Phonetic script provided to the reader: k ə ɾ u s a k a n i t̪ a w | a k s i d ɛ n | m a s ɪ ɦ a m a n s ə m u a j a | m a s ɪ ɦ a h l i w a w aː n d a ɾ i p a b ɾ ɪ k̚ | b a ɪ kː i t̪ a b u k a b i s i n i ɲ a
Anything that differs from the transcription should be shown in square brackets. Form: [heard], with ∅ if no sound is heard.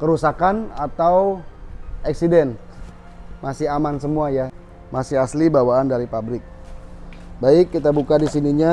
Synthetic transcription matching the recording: k ə ɾ u s a k a n [a] t̪ a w | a k s i d ɛ n | m a s ɪ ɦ a m a n s ə m u a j a | m a s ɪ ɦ a [s] l i [b] a w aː n d a ɾ i p a b ɾ ɪ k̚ | b a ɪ kː i t̪ a b u k a [d] i s i n i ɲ a

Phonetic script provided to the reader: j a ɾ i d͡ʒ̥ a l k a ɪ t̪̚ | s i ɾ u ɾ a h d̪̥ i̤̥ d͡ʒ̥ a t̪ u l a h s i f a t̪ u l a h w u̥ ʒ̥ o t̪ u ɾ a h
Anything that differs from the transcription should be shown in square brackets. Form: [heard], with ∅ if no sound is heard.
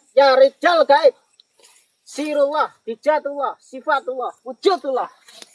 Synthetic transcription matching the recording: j a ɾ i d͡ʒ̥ a l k a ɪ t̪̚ | s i ɾ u [l] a h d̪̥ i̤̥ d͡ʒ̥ a t̪ u l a h s i f a t̪ u l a h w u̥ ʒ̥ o t̪ u [l] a h

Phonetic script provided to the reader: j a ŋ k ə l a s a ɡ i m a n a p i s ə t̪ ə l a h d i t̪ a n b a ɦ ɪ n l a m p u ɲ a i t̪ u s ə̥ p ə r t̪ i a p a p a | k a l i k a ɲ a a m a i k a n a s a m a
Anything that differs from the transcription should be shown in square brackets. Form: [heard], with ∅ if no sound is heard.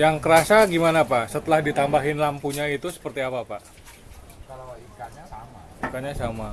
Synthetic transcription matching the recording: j a ŋ k ə [ɾ] a s a ɡ i m a n a p [a] s ə t̪ ə l a h d i t̪ a [m] b a ɦ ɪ n l a m p u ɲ a i t̪ u s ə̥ p ə r t̪ i a p a p a | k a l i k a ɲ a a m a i k a [ɲ] a s a m a

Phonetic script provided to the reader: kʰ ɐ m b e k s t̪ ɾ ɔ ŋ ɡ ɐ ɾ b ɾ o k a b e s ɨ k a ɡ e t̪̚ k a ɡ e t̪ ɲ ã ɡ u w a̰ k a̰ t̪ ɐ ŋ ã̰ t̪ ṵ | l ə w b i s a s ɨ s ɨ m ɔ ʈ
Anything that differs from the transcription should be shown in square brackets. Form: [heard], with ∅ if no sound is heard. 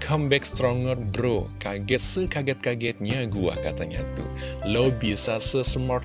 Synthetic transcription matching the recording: kʰ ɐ m b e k s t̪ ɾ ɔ ŋ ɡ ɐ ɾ b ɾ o k a [ɡ] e s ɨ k a ɡ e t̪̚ k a ɡ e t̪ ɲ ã ɡ u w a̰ k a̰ t̪ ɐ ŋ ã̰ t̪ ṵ | l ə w b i s a s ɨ s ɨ m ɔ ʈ

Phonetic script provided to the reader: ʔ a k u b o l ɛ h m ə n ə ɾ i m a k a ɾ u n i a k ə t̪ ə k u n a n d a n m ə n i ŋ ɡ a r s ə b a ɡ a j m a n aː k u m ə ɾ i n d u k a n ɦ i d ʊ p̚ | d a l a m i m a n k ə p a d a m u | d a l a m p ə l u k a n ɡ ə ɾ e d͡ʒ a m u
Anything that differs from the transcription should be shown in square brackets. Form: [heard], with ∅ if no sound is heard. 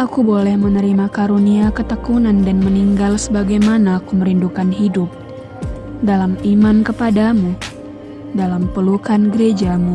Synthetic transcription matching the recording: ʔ a k u b o l ɛ h m ə n ə ɾ i m a k a ɾ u n i a k ə t̪ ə k u n a n d a n m ə n i ŋ ɡ a [l] s ə b a ɡ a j m a n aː k u m ə ɾ i n d u k a n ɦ i d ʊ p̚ | d a l a m i m a n k ə p a d a m u | d a l a m p ə l u k a n ɡ ə ɾ e d͡ʒ a m u

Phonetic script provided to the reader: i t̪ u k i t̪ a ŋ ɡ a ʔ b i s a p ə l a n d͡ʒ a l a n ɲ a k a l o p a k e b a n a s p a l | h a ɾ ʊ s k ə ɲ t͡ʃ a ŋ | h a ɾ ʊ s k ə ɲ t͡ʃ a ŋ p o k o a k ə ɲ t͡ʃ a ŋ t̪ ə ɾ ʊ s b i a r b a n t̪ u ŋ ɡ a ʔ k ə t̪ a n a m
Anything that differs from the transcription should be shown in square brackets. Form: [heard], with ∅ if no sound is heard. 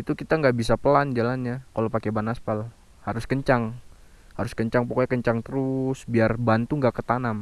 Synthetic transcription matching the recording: i t̪ u k i t̪ a ŋ ɡ a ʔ b i s a p ə l a n d͡ʒ a l a n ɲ a k a l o p a k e b a n a s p a l | h a ɾ ʊ s k ə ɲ t͡ʃ a ŋ | h a ɾ ʊ s k ə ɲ t͡ʃ a ŋ p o k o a k ə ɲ t͡ʃ a ŋ t̪ ə ɾ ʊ s b i a r b a n t̪ u ŋ ɡ a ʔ k ə t̪ a n a m

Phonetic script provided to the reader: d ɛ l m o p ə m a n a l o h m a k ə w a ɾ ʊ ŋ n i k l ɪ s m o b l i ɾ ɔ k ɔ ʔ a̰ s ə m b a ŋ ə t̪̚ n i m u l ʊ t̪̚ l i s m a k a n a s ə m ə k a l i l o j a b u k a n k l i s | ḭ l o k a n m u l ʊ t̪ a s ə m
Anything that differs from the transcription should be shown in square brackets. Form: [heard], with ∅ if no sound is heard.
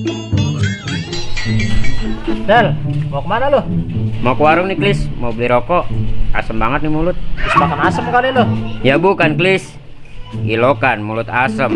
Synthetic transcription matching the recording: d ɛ l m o [k] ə m a n a l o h m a k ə w a ɾ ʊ ŋ n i k l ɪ s m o b l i ɾ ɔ k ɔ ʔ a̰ s ə m b a ŋ ə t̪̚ n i m u l ʊ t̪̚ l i s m a k a n a s ə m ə k a l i l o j a b u k a n k l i s | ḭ l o k a n m u l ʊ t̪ a s ə m

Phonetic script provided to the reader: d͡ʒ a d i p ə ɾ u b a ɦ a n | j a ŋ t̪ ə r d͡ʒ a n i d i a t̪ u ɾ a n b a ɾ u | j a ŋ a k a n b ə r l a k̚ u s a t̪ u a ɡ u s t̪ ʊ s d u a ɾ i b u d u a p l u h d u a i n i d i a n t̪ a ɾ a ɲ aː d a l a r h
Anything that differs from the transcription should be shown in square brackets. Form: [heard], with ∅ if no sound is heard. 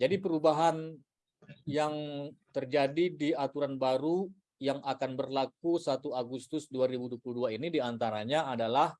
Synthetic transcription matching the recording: d͡ʒ a d i p ə ɾ u b a ɦ a n | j a ŋ t̪ ə r d͡ʒ a [d] i d i a t̪ u ɾ a n b a ɾ u | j a ŋ a k a n b ə r l a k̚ u s a t̪ u a ɡ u s t̪ ʊ s d u a ɾ i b u d u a p l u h d u a i n i d i a n t̪ a ɾ a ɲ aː d a l a [∅] h

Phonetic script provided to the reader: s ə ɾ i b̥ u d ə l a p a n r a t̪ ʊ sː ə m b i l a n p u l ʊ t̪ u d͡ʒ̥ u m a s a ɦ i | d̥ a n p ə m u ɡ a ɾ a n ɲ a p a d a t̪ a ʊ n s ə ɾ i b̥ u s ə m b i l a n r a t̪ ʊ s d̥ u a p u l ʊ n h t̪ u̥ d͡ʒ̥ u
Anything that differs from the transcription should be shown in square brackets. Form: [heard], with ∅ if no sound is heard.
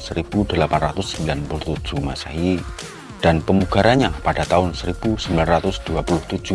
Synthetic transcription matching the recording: s ə ɾ i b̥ u d ə l a p a n r a t̪ ʊ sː ə m b i l a n p u l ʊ t̪ u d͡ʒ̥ u m a s a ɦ i | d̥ a n p ə m u ɡ a ɾ a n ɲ a p a d a t̪ a ʊ n s ə ɾ i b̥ u s ə m b i l a n r a t̪ ʊ s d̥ u a p u l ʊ [∅] h t̪ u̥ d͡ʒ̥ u

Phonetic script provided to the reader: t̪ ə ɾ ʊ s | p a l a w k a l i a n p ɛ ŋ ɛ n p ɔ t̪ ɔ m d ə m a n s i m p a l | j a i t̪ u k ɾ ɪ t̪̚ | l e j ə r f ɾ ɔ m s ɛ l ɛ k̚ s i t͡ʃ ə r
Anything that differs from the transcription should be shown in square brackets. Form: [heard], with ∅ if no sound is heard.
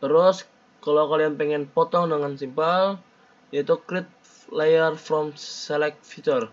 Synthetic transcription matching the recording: t̪ ə ɾ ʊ s | [k] a l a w k a l i a n p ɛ ŋ ɛ n p ɔ t̪ ɔ [ŋ] d ə [ŋ] a n s i m p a l | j a i t̪ u k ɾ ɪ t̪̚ | l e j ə r f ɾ ɔ m s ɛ l ɛ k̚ [f] i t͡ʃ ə r

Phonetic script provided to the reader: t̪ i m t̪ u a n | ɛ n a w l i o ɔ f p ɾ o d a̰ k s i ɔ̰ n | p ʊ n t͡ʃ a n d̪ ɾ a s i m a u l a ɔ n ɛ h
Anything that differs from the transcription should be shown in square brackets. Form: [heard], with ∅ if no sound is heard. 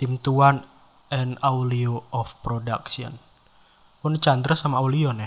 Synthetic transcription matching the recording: t̪ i m t̪ u a n | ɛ n a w l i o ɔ f p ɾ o d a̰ k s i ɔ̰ n | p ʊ n t͡ʃ a n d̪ ɾ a s [a] m a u l [i] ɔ n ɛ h

